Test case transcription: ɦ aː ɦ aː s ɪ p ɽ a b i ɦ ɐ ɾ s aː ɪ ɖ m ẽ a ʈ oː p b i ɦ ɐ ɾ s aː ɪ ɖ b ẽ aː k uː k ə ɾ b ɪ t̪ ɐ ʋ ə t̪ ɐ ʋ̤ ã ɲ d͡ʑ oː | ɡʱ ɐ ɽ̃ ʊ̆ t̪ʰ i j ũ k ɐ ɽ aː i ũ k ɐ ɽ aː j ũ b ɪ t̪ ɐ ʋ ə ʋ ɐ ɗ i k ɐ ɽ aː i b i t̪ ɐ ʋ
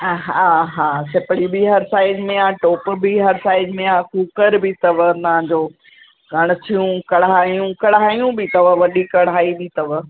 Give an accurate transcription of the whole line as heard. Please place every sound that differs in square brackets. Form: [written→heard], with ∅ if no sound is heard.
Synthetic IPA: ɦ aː ɦ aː s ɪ p ɽ [a→i] b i ɦ ɐ ɾ s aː ɪ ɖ m ẽ a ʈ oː p b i ɦ ɐ ɾ s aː ɪ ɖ [b→m] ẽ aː k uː k ə ɾ b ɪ t̪ ɐ ʋ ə t̪ ɐ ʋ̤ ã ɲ d͡ʑ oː | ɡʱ ɐ ɽ̃ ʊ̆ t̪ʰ i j ũ k ɐ ɽ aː [i→j] ũ k ɐ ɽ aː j ũ b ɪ t̪ ɐ ʋ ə ʋ ɐ ɗ i k ɐ ɽ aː i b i t̪ ɐ ʋ